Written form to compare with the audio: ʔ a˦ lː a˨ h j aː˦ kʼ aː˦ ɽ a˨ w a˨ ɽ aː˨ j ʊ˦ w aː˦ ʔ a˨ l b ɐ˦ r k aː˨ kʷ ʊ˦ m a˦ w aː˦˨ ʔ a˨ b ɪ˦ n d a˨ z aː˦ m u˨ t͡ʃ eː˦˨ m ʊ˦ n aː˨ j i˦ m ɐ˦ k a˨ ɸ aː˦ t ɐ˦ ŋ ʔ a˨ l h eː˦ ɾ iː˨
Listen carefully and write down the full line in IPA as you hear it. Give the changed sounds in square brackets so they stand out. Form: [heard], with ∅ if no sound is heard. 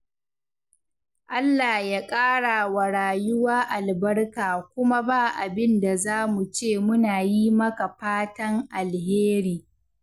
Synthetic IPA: ʔ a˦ lː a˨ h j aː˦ kʼ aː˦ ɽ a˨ w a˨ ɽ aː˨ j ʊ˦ w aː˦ ʔ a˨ l b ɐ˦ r k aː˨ kʷ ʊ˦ m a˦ [b] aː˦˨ ʔ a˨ b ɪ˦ n d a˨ z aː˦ m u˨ t͡ʃ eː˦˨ m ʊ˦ n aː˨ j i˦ m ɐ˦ k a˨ ɸ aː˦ t ɐ˦ ŋ ʔ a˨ l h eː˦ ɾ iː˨